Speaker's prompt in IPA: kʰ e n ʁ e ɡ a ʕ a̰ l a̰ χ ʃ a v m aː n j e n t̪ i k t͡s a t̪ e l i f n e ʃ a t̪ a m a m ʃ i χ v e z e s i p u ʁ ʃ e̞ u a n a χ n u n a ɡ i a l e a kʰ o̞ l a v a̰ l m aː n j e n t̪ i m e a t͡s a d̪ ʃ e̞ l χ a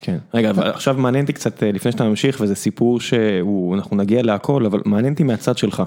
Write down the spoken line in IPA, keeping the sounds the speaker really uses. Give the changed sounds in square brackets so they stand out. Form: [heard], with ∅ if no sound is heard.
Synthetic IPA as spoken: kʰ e n ʁ e ɡ a [v] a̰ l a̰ χ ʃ a v m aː n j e n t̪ i k t͡s a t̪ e l i f n e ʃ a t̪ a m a m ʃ i χ v e z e s i p u ʁ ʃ e̞ u a n a χ n u n a ɡ i a l e a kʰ o̞ l a v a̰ l m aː n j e n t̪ i m e a t͡s a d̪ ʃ e̞ l χ a